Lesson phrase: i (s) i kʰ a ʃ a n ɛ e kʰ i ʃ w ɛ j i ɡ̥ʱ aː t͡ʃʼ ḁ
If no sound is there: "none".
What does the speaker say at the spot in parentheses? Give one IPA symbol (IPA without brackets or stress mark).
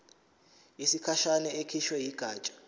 s